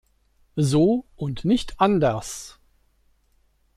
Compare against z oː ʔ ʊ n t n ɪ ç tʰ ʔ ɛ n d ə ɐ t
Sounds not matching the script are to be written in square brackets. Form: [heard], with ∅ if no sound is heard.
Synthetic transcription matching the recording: z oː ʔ ʊ n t n ɪ ç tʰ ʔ [a] n d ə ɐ [s]